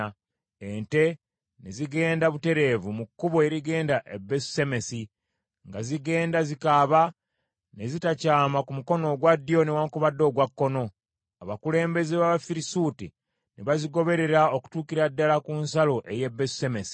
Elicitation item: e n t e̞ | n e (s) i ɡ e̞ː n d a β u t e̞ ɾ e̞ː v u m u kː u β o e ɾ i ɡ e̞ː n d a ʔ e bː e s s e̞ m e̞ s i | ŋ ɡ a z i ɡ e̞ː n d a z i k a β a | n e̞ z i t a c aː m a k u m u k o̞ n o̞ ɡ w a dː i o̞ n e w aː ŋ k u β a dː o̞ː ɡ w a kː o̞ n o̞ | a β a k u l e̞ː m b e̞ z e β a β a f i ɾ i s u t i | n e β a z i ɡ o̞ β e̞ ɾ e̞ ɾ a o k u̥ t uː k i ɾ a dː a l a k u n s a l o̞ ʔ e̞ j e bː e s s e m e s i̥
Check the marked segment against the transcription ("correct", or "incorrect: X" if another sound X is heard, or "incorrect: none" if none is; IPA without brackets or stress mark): incorrect: z